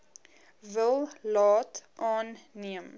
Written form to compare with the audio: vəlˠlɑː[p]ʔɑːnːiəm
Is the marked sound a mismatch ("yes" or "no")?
yes